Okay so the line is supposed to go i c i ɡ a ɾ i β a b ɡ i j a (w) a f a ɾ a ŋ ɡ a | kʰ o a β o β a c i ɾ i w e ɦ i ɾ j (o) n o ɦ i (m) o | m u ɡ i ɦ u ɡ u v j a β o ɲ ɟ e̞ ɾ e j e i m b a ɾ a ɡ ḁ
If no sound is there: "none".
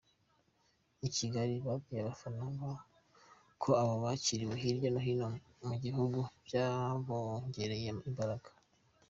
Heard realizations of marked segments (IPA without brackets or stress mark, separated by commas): β, o, n